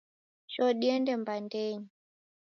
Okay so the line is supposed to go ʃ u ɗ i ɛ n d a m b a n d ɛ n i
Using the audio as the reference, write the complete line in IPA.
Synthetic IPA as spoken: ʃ ɔ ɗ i ɛ n d ɛ m b a n d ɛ ɲ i